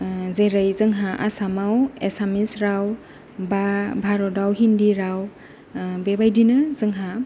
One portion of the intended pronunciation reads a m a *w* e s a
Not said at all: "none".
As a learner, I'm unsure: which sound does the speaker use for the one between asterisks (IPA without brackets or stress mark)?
w